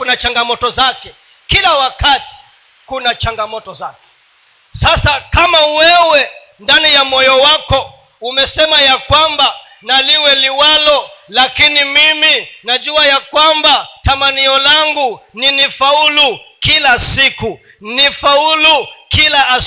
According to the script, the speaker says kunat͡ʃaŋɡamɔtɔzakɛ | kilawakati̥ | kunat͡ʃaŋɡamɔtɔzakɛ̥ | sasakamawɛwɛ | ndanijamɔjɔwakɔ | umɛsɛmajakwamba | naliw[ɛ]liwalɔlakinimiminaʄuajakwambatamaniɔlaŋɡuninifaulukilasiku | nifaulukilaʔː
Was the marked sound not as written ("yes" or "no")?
no